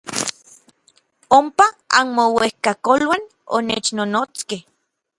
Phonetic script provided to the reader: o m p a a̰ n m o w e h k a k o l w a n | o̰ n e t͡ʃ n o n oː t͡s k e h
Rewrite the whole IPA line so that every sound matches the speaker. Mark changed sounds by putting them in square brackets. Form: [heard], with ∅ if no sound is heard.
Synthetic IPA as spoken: o m p a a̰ n m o w e h k a k o l w a n | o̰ n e t͡ʃ n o n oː t͡s k e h